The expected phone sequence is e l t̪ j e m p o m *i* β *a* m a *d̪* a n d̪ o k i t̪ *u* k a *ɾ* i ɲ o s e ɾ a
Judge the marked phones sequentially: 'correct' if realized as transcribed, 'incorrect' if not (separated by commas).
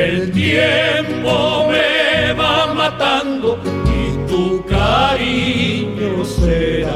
incorrect, correct, incorrect, correct, correct